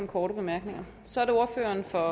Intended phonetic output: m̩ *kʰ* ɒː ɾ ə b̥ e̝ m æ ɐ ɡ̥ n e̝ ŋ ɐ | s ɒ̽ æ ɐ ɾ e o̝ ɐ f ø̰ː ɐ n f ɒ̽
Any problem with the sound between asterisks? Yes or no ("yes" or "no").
no